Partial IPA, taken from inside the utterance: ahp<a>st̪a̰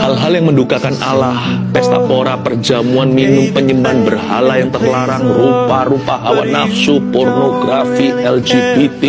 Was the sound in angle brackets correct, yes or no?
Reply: no